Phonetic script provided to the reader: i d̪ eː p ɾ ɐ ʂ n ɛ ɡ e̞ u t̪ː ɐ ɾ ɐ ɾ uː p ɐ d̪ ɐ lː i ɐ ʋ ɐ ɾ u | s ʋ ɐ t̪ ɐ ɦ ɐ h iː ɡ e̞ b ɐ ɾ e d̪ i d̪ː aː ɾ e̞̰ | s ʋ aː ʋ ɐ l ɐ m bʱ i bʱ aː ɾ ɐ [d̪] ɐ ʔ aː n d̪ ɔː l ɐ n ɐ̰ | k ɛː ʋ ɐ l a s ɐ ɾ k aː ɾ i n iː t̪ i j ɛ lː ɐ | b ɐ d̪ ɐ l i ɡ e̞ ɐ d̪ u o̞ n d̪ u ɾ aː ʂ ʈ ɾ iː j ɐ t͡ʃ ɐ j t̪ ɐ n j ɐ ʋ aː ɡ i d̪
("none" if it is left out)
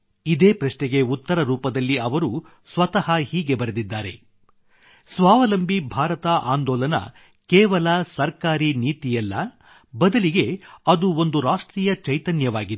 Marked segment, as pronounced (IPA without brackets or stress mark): t̪